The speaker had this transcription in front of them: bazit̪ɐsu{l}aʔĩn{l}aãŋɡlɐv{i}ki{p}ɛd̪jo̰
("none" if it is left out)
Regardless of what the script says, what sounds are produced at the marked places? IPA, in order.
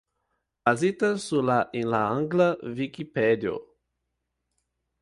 l, l, i, p

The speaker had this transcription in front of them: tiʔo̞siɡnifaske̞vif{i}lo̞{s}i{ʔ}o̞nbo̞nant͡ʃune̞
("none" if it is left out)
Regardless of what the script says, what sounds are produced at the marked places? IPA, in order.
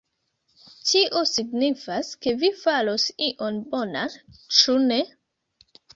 a, s, ʔ

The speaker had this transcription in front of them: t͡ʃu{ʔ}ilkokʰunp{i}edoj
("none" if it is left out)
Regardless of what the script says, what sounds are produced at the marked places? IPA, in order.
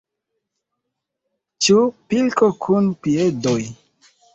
p, i

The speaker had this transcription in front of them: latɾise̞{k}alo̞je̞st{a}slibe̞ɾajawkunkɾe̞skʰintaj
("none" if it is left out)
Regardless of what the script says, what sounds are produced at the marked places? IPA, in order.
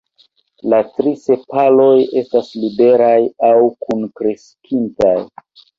p, a

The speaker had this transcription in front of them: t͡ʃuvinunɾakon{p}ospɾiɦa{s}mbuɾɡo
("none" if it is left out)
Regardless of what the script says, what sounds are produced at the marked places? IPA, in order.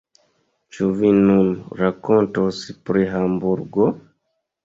t, none

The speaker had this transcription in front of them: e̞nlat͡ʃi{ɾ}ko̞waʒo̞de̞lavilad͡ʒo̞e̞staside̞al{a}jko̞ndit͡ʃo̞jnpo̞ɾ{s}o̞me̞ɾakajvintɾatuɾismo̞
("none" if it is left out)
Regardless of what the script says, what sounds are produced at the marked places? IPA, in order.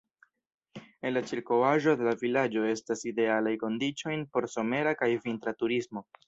ɾ, a, s

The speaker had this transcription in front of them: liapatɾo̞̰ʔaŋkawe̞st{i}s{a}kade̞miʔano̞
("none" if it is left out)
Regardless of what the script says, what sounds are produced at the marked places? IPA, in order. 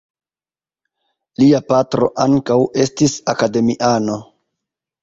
i, a

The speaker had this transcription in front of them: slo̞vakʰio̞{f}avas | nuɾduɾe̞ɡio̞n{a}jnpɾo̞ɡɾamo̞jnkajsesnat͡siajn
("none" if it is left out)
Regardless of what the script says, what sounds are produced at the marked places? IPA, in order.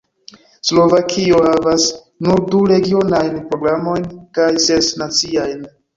h, a

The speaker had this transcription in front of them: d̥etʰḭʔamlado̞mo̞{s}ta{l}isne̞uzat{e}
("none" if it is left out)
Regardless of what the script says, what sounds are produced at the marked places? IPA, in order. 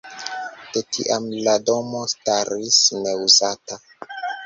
s, ɾ, a

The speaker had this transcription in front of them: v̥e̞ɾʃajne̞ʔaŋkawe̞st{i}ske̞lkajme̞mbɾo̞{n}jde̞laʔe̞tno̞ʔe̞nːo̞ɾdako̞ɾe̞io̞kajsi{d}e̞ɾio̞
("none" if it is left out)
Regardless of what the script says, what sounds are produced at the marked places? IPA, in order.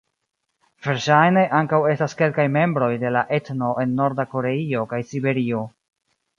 a, none, b

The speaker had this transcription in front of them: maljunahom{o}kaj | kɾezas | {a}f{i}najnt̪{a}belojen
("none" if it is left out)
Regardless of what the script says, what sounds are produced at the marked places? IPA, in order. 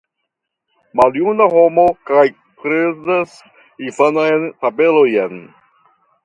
o, i, a, a

